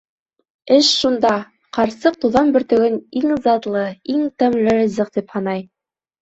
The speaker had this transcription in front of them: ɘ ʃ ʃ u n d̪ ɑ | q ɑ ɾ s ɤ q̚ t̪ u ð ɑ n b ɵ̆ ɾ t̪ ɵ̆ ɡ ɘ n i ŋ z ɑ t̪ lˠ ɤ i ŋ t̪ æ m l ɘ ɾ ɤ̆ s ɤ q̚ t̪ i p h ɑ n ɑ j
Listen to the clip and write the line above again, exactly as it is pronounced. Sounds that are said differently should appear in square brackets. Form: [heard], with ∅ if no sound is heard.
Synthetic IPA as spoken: ɘ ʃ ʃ u n d̪ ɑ | q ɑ ɾ s ɤ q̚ t̪ u ð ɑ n b ɵ̆ ɾ t̪ ɵ̆ ɡ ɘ n i ŋ z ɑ t̪ lˠ ɤ i ŋ t̪ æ m l ɘ ɾ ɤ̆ [z] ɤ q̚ t̪ i p h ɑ n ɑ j